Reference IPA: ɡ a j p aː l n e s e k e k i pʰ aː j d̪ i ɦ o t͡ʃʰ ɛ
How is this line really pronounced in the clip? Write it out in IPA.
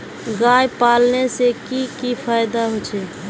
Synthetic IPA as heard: ɡ a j p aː l n e s e k i k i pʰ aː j d̪ a ɦ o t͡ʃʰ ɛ